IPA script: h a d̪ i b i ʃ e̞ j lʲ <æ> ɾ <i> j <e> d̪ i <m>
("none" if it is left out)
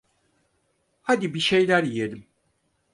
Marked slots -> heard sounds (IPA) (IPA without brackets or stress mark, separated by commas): æ, i, e, m